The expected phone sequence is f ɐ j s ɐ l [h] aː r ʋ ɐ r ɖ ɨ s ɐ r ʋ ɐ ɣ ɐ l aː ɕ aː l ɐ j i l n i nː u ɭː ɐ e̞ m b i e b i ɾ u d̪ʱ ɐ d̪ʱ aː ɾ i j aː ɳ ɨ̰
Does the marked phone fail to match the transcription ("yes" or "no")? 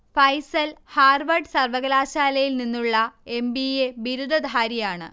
no